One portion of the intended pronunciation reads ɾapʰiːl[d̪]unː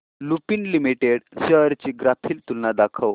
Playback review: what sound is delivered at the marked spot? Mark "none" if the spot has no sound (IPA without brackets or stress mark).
t̪